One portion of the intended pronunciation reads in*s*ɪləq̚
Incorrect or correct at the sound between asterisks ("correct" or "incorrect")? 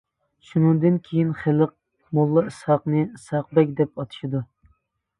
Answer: incorrect